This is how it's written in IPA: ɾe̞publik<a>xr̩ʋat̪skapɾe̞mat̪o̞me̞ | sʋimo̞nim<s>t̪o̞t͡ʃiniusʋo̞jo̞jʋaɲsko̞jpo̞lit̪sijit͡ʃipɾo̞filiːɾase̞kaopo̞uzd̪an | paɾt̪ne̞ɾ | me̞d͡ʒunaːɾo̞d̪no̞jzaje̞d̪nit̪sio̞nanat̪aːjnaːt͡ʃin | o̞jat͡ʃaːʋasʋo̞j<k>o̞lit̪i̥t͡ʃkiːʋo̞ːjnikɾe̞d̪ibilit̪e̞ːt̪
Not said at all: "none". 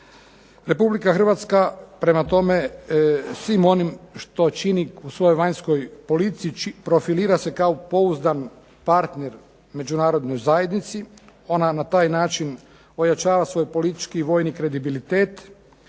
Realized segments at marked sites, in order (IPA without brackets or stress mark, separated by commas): a, ʃ, p